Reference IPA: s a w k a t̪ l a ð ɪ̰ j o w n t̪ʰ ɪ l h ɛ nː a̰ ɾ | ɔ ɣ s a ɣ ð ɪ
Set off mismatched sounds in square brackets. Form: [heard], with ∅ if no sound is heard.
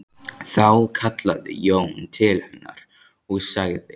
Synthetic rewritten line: [θ] a w [kʰ] a t̪ l a ð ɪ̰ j o w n t̪ʰ ɪ l h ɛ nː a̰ ɾ | ɔ ɣ s a ɣ ð ɪ